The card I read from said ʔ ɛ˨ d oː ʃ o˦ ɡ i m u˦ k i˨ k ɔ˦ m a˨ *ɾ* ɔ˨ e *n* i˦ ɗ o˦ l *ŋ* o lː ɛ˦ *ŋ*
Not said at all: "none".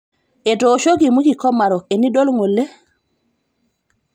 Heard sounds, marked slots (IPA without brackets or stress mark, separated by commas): ɾ, n, ŋ, none